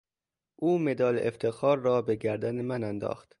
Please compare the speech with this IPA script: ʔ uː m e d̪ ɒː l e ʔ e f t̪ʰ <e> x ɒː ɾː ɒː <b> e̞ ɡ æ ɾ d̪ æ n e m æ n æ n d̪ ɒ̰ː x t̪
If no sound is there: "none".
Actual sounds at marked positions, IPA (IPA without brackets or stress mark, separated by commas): e, b